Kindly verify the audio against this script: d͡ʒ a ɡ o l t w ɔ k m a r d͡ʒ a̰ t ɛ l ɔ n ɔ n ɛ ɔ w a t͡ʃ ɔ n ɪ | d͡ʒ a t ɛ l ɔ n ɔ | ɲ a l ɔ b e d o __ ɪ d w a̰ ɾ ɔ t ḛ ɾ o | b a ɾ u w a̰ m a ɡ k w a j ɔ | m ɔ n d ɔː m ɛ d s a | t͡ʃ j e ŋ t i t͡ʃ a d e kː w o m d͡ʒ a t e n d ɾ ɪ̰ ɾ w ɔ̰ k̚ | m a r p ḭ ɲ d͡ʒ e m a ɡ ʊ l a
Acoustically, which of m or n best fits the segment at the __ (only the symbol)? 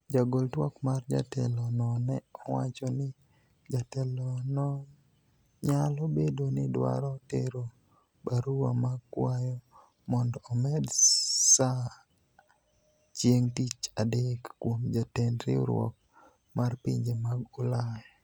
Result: n